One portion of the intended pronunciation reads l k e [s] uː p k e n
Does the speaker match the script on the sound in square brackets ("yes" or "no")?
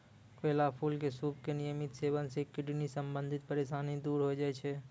yes